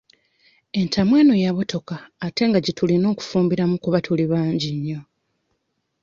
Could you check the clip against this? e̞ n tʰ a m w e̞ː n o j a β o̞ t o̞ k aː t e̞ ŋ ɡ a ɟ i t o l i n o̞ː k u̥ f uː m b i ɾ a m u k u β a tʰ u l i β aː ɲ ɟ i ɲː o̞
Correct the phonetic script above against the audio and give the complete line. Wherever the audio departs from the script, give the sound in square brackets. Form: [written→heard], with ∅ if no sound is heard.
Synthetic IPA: e̞ n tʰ a m w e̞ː n o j a β o̞ t o̞ k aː t e̞ ŋ ɡ a ɟ i t [o→u] l i n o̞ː k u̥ f uː m b i ɾ a m u k u β a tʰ u l i β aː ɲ ɟ i ɲː o̞